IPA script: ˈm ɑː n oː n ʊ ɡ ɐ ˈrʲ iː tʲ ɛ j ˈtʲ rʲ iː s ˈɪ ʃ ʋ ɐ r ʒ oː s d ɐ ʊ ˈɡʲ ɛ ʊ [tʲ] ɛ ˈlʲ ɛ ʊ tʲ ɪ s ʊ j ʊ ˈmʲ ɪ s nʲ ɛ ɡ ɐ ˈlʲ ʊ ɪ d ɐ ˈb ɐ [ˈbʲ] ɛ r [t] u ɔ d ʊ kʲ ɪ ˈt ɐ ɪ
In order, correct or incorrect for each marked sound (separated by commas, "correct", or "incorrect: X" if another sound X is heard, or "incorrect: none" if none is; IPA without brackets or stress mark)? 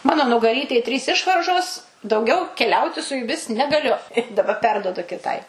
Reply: incorrect: kʲ, incorrect: pʲ, incorrect: d